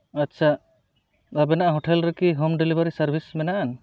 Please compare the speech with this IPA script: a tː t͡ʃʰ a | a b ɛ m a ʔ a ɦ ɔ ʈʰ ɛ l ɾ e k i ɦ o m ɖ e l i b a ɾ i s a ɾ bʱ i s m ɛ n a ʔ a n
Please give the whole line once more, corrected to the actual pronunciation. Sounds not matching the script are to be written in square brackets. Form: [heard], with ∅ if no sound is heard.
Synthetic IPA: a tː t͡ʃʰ a | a b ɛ [n] a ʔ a ɦ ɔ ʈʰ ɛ l ɾ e k i ɦ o m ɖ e l i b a ɾ i s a ɾ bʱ i s m ɛ n a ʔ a n